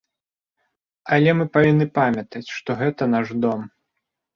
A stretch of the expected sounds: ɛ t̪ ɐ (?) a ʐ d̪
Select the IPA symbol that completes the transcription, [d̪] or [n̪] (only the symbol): n̪